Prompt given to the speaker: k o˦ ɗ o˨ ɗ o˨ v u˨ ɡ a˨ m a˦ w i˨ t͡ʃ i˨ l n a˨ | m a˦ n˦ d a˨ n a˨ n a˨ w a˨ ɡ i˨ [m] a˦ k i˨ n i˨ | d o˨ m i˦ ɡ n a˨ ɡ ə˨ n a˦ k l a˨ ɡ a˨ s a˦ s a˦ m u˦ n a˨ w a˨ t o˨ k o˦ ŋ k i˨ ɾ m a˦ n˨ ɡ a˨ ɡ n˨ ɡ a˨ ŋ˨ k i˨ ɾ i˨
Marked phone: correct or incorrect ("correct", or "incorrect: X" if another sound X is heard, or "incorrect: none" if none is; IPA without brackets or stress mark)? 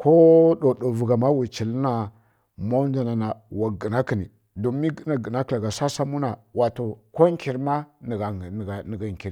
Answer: incorrect: n